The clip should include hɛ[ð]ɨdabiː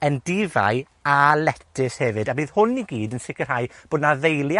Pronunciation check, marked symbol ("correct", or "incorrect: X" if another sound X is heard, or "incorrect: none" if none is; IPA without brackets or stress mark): incorrect: v